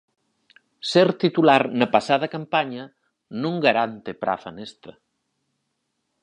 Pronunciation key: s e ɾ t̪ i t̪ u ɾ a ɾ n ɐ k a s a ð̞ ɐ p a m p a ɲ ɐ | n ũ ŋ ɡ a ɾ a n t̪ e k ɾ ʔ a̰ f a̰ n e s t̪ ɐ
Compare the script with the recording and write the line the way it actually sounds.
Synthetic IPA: s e ɾ t̪ i t̪ u l a ɾ n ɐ p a s a ð̞ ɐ k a m p a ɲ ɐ | n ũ ŋ ɡ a ɾ a n t̪ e p ɾ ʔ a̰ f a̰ n e s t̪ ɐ